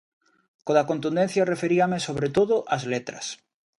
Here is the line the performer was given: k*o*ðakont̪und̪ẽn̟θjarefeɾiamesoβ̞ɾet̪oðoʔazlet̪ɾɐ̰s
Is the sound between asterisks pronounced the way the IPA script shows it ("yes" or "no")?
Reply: yes